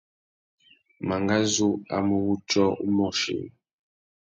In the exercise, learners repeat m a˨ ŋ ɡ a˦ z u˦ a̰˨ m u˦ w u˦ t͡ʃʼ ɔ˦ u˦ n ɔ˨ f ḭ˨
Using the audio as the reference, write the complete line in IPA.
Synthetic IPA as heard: m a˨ ŋ ɡ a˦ z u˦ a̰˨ m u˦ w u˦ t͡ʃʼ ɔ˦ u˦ m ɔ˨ ʃ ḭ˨